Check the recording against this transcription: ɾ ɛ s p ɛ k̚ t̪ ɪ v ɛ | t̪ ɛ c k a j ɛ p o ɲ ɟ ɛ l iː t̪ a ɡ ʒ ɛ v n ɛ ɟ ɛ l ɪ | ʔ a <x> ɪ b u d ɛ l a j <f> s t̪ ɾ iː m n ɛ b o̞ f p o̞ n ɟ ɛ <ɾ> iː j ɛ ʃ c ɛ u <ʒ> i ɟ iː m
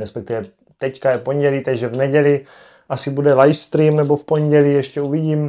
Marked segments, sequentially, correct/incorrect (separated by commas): incorrect, correct, incorrect, incorrect